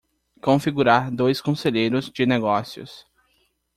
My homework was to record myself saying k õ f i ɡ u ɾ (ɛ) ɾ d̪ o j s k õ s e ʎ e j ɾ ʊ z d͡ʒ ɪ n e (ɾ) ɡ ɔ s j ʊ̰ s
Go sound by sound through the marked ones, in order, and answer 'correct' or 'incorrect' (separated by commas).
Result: incorrect, incorrect